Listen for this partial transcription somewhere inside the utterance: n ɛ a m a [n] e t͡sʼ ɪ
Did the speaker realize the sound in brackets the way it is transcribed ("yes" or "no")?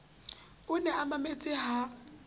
no